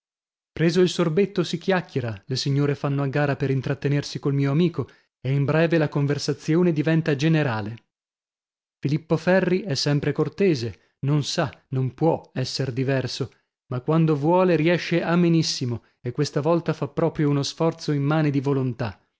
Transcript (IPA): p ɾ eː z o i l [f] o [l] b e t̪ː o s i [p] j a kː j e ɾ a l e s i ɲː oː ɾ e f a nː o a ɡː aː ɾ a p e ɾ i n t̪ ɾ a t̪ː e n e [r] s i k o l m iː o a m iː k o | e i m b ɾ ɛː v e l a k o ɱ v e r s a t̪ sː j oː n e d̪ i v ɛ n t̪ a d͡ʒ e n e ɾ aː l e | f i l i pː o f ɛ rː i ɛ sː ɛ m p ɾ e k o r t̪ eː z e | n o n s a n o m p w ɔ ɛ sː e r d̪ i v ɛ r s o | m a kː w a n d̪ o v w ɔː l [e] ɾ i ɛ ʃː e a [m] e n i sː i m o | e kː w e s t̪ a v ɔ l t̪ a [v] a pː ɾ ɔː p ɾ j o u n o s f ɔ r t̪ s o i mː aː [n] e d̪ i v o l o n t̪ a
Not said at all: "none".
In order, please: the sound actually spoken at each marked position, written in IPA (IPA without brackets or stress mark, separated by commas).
s, r, k, r, e, m, f, n